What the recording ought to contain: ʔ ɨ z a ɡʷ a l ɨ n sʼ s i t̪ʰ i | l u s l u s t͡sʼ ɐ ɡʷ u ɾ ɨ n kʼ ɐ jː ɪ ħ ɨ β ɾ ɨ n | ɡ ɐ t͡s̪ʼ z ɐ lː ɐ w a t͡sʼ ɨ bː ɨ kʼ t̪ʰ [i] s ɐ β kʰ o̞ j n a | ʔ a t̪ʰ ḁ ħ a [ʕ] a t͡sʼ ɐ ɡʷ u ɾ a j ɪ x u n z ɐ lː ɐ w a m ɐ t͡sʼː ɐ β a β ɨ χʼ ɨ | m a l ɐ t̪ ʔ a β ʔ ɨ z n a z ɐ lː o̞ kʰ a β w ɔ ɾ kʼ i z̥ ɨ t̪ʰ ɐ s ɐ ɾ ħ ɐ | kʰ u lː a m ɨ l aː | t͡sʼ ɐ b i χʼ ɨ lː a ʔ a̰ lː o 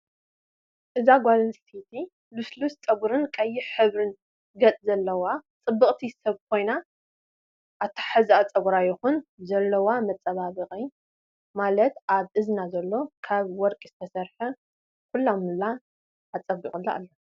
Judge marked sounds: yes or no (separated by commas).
yes, no